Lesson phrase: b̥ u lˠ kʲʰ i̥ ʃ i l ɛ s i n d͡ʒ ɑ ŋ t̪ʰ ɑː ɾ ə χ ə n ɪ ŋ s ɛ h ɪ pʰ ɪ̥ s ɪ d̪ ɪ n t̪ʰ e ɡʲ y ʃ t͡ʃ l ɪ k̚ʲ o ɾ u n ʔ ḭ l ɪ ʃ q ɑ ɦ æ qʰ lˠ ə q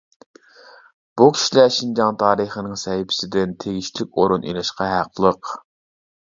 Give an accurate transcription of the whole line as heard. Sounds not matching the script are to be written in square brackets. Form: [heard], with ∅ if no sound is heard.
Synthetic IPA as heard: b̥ u [∅] kʲʰ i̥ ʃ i l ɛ [ʃ] i n d͡ʒ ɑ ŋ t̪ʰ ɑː ɾ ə χ ə n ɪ ŋ s ɛ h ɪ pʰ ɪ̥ s ɪ d̪ ɪ n t̪ʰ e ɡʲ [i] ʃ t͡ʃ l ɪ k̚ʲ o ɾ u n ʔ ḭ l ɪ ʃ q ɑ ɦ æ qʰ lˠ ə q